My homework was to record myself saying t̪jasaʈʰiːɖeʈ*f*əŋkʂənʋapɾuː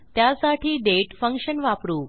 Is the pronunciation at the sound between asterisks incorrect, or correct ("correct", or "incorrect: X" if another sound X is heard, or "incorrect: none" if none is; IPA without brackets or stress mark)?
correct